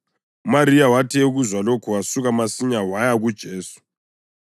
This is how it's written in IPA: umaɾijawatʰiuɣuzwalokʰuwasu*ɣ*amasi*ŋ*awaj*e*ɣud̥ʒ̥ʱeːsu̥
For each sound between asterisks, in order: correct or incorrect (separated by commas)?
correct, incorrect, incorrect